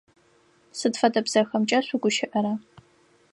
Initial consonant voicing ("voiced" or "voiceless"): voiceless